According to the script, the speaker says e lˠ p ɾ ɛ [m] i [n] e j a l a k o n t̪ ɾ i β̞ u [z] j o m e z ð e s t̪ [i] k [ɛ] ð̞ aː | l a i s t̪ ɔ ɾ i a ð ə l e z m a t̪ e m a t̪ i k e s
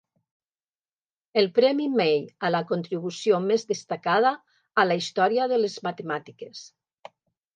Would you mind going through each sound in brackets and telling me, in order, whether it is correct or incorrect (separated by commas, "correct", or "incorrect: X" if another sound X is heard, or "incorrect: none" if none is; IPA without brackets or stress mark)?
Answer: correct, incorrect: m, incorrect: s, incorrect: a, incorrect: a